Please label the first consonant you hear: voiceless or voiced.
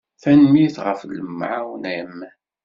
voiceless